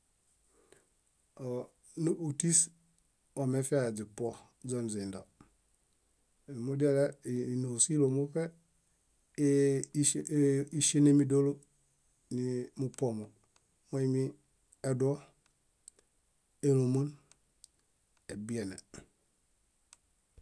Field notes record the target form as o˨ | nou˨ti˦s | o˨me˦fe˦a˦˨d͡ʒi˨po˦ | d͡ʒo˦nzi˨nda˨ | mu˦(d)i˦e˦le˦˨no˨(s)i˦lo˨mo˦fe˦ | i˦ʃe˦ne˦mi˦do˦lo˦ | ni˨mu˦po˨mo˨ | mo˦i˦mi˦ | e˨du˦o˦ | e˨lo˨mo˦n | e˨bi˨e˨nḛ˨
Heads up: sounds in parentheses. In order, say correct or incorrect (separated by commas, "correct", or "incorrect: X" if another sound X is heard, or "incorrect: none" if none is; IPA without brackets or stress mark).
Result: correct, correct